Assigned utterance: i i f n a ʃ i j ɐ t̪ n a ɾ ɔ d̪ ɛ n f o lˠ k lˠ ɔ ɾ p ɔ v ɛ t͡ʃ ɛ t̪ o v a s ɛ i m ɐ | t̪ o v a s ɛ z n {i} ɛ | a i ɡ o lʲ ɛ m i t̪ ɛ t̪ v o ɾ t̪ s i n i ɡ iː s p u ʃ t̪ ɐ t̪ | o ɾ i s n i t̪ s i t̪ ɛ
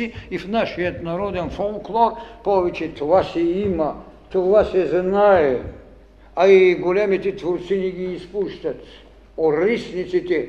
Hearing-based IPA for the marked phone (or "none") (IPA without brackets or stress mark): a